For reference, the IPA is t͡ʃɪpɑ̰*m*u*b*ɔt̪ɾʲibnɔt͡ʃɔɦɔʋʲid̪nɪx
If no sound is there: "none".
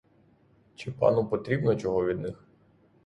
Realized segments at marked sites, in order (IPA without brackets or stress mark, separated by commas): n, p